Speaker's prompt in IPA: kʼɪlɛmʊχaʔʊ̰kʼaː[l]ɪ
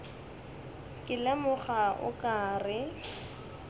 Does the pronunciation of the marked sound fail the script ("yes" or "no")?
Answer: yes